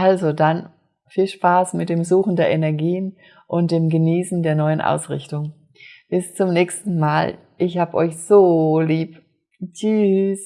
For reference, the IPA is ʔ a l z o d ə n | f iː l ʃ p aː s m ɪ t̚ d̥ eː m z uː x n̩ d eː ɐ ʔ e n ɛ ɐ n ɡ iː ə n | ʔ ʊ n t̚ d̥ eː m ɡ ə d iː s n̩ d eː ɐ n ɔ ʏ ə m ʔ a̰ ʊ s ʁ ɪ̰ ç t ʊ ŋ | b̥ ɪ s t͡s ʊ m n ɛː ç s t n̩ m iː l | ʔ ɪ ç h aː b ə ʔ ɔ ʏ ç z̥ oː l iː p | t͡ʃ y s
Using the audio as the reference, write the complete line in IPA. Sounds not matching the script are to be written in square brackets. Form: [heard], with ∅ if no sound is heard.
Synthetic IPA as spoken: ʔ a l z o d [a] n | f iː l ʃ p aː s m ɪ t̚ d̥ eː m z uː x n̩ d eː ɐ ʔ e n ɛ ɐ [∅] ɡ iː ə n | ʔ ʊ n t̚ d̥ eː m ɡ ə [n] iː s n̩ d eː ɐ n ɔ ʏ ə [n] ʔ a̰ ʊ s ʁ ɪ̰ ç t ʊ ŋ | b̥ ɪ s t͡s ʊ m n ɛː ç s t n̩ m [aː] l | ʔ ɪ ç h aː b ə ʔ ɔ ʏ ç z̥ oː l iː p | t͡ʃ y s